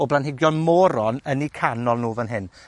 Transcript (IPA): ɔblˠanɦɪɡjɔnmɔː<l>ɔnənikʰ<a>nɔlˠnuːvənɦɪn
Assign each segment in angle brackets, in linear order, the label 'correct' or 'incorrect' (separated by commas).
incorrect, correct